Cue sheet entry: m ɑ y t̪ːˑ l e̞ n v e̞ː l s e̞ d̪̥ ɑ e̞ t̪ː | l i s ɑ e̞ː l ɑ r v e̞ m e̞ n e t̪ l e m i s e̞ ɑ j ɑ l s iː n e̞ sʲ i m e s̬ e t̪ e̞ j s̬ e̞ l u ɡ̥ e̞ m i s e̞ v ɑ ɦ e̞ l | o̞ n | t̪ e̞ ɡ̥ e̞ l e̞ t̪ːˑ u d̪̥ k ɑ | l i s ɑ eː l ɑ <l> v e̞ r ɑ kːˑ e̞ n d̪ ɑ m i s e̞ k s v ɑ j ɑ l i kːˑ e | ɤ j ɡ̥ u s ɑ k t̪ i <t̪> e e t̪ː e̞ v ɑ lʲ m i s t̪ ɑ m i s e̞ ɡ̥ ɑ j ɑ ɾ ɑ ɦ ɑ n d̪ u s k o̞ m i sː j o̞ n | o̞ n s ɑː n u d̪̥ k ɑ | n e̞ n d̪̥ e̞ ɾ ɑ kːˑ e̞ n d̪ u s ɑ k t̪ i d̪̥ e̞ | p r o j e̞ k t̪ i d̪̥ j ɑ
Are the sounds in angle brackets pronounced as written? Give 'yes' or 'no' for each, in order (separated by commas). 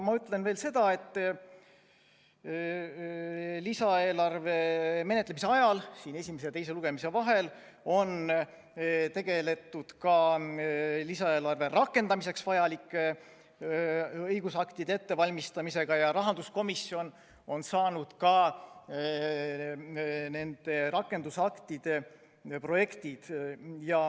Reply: no, no